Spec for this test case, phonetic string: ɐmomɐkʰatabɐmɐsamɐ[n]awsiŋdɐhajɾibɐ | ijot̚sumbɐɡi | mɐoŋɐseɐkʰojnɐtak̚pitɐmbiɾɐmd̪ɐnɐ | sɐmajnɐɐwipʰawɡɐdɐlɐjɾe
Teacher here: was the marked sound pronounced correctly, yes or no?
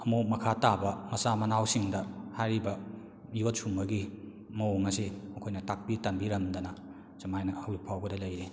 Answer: yes